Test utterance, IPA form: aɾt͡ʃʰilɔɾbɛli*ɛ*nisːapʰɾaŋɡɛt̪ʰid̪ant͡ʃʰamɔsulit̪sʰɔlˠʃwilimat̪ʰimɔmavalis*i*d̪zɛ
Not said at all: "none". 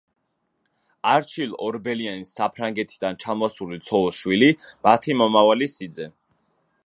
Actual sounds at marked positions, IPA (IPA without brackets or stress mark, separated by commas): a, i